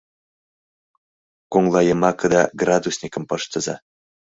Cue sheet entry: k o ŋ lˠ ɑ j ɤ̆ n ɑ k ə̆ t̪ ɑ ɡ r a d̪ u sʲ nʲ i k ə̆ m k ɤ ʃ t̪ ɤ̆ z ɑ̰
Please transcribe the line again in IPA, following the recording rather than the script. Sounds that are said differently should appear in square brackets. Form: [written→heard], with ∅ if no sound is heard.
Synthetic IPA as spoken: k o ŋ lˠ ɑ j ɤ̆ [n→m] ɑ k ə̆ [t̪→d̪] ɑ ɡ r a d̪ u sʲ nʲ i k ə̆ m [k→p] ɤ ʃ t̪ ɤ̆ z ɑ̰